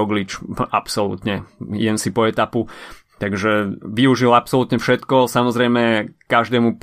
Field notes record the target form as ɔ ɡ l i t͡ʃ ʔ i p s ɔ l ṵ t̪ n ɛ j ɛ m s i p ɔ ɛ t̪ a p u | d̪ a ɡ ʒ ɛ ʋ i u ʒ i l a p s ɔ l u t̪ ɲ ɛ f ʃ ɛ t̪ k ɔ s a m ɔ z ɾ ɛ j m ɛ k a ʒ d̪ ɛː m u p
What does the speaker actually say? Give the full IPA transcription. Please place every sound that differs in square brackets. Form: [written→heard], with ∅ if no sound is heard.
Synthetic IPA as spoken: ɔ ɡ l i t͡ʃ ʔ [i→a] p s ɔ l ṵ t̪ [n→ɲ] ɛ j ɛ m s i p ɔ ɛ t̪ a p u | [d̪→t̪] a ɡ ʒ ɛ ʋ i u ʒ i l a p s ɔ l u t̪ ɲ ɛ f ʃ ɛ t̪ k ɔ s a m ɔ z ɾ ɛ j m ɛ k a ʒ d̪ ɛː m u p